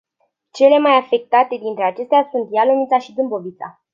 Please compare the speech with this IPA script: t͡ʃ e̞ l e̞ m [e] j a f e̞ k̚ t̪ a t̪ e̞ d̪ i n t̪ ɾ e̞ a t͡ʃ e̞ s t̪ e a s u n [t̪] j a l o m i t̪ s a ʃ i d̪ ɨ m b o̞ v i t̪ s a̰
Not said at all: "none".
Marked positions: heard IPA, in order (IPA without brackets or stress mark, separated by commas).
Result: a, t̪